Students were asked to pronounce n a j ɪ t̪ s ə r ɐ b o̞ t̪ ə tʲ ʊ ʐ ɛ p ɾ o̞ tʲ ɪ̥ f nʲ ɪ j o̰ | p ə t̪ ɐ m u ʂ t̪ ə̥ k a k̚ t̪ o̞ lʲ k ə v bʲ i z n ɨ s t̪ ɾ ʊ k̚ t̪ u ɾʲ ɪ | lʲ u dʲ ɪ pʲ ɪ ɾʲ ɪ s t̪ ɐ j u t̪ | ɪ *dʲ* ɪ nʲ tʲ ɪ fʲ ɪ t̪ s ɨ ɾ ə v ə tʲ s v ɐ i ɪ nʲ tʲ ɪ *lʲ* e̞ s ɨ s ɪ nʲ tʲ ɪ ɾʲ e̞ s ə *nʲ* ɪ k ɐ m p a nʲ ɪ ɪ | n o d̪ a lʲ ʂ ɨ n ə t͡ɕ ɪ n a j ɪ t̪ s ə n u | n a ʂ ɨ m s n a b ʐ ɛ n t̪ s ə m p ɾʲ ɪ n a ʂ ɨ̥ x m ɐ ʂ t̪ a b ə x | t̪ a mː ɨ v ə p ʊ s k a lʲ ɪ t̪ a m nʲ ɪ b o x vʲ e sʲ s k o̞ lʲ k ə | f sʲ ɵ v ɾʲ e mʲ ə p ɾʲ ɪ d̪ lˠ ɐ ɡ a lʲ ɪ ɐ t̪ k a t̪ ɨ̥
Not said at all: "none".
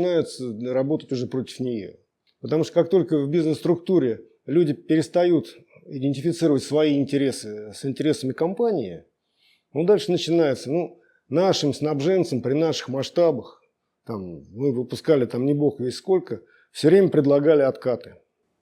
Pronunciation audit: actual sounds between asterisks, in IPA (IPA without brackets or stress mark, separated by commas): dʲ, ɾʲ, mʲ